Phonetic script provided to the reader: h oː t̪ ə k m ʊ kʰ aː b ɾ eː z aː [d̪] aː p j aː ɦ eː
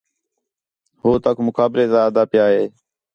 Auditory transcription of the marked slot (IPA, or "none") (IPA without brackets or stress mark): d̪